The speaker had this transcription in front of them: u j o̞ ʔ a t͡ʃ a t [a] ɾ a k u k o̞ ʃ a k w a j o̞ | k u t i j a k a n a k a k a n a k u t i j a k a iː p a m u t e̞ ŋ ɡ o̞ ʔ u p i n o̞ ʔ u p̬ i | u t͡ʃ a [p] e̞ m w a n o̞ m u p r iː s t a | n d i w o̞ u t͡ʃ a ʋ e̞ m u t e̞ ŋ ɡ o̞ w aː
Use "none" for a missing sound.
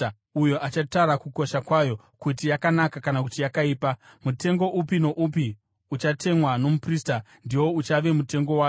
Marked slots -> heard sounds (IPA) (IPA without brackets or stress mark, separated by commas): a, t